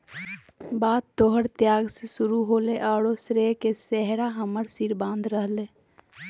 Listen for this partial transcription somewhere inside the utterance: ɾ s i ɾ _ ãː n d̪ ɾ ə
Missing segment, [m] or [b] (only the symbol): b